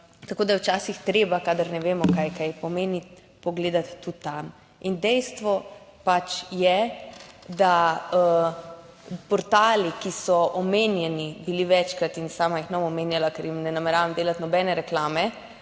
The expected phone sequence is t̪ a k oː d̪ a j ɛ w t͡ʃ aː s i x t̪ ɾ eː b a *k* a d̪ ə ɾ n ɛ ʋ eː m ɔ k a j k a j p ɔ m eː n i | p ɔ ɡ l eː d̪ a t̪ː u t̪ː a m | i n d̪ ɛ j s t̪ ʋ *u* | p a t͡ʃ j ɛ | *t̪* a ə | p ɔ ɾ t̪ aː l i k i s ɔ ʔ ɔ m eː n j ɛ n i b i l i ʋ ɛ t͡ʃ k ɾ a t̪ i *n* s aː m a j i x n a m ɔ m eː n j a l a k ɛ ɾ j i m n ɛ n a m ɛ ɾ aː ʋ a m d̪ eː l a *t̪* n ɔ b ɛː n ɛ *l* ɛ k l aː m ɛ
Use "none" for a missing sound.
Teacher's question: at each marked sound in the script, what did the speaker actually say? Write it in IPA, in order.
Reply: k, ɔ, d̪, n, t̪, ɾ

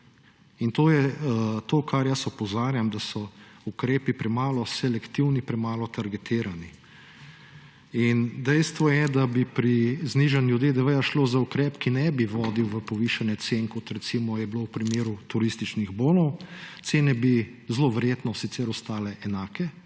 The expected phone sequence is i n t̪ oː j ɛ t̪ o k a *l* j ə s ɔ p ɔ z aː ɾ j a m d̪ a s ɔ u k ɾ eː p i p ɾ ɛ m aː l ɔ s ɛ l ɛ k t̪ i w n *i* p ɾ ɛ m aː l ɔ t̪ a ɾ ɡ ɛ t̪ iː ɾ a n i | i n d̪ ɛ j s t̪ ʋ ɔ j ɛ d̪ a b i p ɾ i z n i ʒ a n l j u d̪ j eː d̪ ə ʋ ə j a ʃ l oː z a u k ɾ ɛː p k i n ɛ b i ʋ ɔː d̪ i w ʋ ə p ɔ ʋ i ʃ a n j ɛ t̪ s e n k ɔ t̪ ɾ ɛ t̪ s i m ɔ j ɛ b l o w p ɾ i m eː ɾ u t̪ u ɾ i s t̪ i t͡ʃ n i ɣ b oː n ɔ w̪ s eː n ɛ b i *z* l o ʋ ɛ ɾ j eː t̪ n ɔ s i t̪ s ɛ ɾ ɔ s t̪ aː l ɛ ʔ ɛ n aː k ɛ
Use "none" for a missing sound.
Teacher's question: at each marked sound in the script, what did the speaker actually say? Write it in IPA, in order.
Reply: ɾ, i, z

